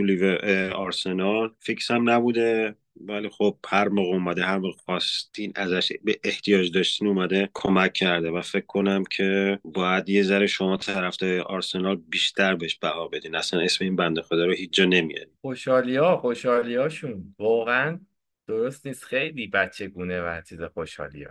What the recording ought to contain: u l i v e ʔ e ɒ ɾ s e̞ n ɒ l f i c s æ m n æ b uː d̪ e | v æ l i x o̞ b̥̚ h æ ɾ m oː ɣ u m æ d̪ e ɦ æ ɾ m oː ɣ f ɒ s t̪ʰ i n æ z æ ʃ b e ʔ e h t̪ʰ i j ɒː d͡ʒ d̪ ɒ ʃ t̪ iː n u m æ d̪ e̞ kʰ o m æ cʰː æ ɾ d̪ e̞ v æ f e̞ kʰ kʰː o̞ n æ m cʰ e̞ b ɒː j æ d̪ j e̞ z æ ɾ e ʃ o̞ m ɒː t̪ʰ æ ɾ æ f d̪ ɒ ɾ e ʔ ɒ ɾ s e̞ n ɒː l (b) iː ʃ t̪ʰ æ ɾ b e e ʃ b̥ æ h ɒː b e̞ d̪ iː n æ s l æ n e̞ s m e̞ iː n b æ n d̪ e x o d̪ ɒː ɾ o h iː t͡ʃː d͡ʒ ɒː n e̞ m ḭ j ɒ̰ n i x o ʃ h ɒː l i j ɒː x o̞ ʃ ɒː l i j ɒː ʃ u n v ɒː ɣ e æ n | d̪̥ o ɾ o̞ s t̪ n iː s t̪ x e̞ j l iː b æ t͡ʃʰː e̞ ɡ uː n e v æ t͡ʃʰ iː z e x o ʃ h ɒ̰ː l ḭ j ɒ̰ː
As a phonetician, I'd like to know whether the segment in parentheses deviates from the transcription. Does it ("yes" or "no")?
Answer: no